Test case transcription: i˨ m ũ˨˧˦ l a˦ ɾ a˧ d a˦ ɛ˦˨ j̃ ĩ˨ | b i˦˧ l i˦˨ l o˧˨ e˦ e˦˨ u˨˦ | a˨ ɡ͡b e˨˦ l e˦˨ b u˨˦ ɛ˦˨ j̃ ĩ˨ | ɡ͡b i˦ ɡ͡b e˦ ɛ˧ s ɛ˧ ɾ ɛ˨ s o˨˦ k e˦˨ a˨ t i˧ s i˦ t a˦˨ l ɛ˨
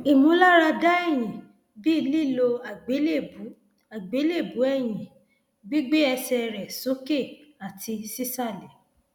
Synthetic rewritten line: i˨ m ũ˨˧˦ l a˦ ɾ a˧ d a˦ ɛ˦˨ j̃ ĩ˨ | b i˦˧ l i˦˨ l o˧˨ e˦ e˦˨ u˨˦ | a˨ ɡ͡b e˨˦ l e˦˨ b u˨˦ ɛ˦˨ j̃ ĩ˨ | ɡ͡b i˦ ɡ͡b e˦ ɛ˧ s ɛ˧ ɾ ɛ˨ s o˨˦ k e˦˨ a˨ t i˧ s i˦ s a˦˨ l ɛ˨